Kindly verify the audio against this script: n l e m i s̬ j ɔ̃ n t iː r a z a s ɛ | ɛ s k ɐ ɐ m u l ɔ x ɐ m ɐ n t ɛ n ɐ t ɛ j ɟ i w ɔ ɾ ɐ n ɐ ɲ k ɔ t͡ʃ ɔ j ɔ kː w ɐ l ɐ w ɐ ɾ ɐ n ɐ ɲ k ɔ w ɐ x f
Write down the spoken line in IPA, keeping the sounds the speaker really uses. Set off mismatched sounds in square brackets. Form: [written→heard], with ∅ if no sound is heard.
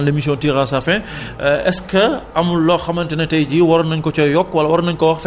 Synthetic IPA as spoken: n l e m i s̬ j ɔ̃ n t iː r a [z→s] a [s→f] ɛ | ɛ s k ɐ ɐ m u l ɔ x ɐ m ɐ n t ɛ n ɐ t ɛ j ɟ i w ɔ ɾ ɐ n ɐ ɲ k ɔ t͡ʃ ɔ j ɔ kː w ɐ l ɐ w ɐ ɾ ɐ n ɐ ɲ k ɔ w ɐ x f